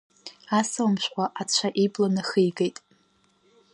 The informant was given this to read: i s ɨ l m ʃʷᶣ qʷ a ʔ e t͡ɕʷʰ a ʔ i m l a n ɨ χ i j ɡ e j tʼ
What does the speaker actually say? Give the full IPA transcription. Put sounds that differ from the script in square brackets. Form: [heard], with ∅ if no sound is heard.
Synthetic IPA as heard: [a] s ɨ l m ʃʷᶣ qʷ a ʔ [a] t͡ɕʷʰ a ʔ i [b] l a n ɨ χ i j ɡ e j tʼ